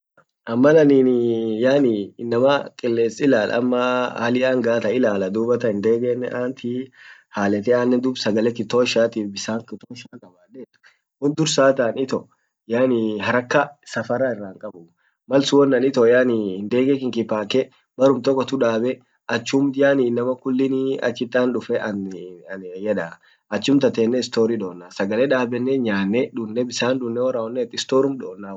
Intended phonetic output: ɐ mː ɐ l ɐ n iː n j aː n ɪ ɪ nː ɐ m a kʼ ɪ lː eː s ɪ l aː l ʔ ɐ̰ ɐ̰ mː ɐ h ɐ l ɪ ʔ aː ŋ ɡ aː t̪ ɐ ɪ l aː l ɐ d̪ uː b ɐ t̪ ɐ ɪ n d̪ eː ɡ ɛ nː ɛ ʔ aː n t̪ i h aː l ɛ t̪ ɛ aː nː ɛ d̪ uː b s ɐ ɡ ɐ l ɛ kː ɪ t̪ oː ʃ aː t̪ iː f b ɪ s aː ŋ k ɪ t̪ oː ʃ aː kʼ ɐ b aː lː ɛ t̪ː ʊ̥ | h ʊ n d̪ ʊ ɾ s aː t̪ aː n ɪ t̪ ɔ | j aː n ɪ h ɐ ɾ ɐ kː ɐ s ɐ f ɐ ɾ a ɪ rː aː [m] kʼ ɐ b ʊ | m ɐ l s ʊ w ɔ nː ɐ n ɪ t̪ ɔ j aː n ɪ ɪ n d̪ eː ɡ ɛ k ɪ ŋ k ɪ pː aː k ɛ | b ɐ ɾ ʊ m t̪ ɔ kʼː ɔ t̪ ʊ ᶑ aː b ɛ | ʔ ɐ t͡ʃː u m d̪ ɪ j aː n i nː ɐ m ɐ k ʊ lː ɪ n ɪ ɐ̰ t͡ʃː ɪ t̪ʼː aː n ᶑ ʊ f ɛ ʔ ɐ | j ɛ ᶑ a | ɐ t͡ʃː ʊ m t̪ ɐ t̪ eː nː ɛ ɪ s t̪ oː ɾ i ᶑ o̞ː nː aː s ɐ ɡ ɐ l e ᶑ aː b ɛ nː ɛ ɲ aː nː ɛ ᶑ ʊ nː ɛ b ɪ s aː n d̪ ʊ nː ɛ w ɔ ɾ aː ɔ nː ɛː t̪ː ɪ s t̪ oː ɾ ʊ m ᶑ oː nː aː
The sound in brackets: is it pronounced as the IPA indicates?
no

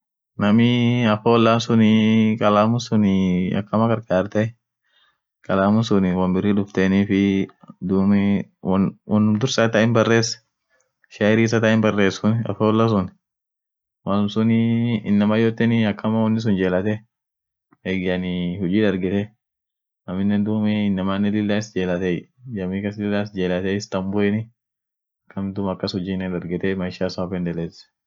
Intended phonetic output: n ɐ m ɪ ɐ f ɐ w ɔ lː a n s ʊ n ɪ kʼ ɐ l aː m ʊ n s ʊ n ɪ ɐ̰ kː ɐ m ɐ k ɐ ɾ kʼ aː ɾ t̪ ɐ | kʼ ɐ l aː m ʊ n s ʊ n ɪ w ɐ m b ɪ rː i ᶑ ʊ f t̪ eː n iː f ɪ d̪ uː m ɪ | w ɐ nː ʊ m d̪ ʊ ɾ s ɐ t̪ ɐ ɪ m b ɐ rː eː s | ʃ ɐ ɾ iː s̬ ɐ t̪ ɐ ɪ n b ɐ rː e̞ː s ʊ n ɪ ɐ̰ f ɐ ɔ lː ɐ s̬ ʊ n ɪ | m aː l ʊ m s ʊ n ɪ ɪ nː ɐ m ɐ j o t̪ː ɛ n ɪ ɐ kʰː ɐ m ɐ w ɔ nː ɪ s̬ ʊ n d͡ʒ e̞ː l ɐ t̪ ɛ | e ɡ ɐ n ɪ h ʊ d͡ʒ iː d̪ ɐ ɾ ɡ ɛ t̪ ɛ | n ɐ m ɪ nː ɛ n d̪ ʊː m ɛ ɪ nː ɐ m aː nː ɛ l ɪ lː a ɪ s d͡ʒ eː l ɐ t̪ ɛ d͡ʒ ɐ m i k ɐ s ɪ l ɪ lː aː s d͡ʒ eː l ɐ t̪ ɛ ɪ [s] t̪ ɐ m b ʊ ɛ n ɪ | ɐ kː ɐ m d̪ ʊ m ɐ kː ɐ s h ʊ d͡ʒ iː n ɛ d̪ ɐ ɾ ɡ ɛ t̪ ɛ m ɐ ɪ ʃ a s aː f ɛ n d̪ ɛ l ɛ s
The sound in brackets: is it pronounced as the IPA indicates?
yes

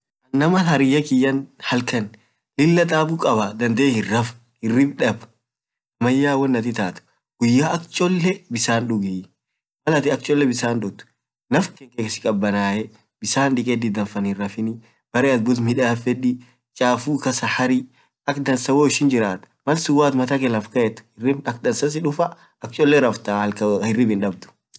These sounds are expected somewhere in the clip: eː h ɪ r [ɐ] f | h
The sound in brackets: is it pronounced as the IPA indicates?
yes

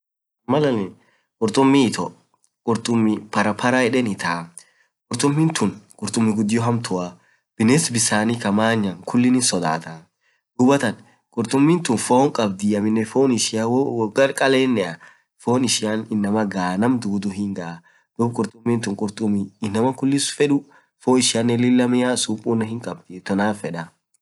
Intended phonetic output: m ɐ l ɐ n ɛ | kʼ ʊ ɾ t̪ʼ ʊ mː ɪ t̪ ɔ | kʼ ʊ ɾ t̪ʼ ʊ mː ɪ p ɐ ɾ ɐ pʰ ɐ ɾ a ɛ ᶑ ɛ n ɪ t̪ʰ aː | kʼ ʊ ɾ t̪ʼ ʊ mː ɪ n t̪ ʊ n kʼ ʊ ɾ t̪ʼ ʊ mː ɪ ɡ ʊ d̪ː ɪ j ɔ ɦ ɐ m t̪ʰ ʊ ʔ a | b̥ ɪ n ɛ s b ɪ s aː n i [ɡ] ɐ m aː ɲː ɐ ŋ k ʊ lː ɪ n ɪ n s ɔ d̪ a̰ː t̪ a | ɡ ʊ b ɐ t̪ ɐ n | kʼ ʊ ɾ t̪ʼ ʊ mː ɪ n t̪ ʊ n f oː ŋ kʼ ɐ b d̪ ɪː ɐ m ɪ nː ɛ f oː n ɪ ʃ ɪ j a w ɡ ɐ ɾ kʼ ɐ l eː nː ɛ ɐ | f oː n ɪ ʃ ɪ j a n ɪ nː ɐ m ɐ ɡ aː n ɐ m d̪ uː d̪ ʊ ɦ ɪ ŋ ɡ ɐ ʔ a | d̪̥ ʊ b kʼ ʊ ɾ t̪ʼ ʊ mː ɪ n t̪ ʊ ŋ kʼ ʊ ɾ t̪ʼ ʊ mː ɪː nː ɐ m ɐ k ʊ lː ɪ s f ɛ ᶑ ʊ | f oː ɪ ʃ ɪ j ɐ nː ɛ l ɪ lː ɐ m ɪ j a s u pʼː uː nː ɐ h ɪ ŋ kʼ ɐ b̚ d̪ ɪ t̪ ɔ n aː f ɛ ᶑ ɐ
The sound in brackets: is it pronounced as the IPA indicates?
no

